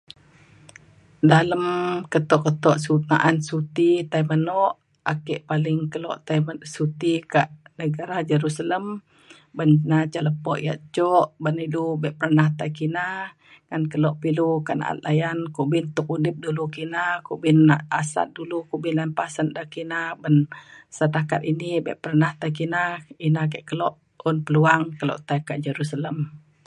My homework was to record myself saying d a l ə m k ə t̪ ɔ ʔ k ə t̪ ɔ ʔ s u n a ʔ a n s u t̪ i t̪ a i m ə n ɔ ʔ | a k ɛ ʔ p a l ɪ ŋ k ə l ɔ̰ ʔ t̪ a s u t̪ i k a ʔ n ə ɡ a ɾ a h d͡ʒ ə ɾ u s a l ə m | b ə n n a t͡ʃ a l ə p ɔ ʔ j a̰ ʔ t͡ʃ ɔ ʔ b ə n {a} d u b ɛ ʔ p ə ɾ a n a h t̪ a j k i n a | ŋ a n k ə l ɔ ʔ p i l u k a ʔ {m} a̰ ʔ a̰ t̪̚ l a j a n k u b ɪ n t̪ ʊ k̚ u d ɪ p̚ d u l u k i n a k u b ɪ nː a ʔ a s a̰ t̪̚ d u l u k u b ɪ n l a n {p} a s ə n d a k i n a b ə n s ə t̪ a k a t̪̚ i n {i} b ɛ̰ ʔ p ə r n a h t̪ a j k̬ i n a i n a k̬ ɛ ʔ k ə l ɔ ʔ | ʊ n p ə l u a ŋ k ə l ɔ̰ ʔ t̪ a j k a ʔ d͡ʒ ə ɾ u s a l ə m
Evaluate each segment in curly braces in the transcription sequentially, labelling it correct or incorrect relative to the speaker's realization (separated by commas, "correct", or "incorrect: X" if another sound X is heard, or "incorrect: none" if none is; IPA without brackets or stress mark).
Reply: incorrect: i, incorrect: n, correct, correct